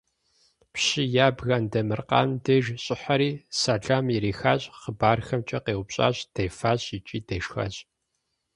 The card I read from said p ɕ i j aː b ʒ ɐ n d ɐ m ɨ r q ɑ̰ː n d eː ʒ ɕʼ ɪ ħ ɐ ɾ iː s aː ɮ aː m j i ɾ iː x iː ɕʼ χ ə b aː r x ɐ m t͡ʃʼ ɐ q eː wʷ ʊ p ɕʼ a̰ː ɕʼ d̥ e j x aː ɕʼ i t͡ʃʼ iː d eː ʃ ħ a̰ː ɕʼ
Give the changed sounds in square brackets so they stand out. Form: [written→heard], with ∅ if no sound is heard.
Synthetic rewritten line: p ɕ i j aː b [ʒ→ɣ] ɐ n d ɐ m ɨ r q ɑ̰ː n d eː ʒ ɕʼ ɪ ħ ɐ ɾ iː s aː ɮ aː m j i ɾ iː x [iː→aː] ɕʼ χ ə b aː r x ɐ m t͡ʃʼ ɐ q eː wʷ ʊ p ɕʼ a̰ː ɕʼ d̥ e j [x→f] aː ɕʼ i t͡ʃʼ iː d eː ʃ [ħ→x] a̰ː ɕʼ